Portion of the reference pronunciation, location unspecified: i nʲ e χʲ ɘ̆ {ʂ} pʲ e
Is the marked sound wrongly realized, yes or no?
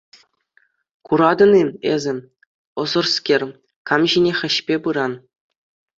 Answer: yes